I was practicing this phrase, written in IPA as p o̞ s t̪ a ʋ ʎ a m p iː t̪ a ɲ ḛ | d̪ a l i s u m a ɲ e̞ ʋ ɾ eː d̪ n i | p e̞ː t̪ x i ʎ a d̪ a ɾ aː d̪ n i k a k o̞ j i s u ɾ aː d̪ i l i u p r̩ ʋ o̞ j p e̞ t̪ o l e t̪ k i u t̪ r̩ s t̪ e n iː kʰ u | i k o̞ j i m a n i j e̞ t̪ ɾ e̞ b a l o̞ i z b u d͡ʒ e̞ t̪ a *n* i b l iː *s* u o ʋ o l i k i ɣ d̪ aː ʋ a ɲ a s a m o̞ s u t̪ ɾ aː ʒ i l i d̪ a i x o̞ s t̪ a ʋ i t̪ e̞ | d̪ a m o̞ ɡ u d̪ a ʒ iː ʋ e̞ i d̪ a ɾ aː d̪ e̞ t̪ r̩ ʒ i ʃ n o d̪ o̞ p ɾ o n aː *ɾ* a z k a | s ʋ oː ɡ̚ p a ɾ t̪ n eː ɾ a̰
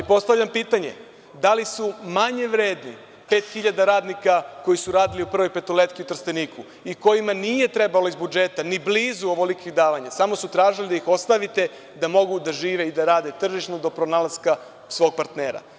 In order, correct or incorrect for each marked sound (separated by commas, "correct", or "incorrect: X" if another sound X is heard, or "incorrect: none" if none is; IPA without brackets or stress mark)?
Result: correct, incorrect: z, incorrect: l